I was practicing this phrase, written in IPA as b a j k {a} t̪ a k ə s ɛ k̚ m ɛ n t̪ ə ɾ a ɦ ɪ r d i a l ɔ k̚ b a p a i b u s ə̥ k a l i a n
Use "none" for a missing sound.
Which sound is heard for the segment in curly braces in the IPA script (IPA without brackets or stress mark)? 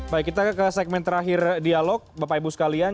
i